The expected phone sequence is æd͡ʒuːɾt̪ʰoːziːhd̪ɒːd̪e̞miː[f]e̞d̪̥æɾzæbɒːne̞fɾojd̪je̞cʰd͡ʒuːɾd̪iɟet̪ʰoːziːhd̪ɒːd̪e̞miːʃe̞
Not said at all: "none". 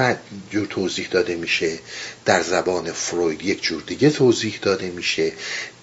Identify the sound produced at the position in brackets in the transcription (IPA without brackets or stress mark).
ʃ